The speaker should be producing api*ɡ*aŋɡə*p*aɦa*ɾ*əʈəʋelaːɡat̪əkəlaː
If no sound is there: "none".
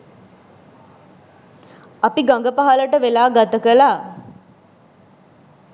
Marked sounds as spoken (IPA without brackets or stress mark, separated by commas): ɡ, p, l